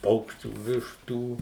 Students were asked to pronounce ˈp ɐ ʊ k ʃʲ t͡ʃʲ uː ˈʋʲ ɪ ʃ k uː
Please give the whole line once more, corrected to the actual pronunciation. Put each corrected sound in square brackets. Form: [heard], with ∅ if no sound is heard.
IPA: ˈp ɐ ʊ k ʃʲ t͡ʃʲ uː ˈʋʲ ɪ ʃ [t] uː